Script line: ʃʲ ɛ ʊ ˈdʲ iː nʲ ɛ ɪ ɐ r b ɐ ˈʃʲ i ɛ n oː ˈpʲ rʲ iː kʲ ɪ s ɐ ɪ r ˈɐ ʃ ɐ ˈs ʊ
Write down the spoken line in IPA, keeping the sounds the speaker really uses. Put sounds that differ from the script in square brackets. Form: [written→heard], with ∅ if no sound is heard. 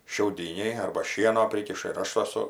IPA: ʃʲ ɛ ʊ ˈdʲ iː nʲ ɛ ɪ ɐ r b ɐ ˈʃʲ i ɛ n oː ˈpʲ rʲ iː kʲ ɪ [s→ʃ] ɐ ɪ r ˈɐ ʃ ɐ ˈs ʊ